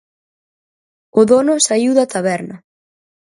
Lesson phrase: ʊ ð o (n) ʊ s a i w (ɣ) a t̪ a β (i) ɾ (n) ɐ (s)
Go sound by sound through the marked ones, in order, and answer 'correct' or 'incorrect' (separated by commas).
correct, incorrect, incorrect, correct, incorrect